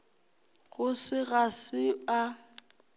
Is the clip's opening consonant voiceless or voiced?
voiced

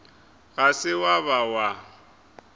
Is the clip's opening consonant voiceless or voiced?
voiced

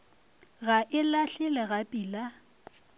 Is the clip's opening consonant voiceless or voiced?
voiced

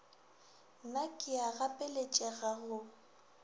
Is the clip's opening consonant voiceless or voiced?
voiced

